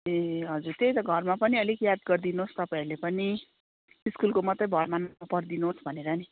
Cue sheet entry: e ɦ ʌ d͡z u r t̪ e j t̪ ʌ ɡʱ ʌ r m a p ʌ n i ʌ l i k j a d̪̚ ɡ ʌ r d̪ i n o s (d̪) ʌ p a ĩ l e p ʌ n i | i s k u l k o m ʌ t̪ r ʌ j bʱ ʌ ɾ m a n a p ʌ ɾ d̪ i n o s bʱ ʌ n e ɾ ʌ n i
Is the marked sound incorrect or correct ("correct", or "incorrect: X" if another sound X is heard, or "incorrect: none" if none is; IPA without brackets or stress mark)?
incorrect: t̪